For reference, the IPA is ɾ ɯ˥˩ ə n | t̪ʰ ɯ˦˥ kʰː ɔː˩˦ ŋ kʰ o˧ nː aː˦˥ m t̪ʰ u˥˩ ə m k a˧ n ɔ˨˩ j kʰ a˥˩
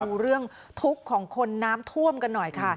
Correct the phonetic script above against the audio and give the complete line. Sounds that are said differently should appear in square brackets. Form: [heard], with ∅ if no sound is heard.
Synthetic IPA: ɾ ɯ˥˩ ə [ŋ] | t̪ʰ [u˦˥] kʰː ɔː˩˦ ŋ kʰ o˧ nː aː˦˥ m t̪ʰ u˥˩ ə m k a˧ [nː] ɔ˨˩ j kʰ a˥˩